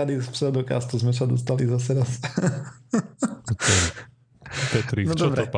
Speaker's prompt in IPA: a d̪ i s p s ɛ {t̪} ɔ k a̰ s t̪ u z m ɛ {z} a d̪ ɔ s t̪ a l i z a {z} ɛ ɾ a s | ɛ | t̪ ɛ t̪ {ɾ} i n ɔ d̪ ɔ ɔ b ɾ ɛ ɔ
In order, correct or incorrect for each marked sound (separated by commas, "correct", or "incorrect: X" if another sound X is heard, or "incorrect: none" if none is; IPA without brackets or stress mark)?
incorrect: d̪, incorrect: s, incorrect: s, correct